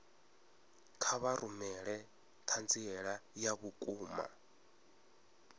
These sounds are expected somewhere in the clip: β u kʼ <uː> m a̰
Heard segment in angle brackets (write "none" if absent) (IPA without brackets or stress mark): uː